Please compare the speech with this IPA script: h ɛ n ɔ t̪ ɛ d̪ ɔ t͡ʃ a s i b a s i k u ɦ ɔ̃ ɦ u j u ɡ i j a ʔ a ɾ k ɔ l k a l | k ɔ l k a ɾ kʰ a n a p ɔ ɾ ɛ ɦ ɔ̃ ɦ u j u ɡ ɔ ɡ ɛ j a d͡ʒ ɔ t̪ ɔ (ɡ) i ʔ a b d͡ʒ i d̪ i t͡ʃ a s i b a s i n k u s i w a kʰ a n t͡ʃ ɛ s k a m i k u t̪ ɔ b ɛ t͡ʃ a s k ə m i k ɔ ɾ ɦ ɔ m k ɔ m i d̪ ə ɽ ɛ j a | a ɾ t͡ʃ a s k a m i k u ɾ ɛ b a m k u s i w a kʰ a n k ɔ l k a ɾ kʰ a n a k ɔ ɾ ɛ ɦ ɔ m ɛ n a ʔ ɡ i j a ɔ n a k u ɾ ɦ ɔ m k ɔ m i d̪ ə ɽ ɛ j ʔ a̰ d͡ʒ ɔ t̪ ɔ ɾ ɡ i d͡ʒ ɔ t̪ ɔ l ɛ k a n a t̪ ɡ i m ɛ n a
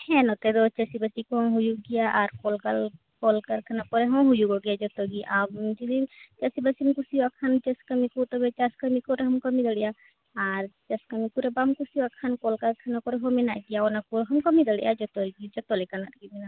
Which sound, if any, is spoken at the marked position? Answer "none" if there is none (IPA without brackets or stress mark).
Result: ɡ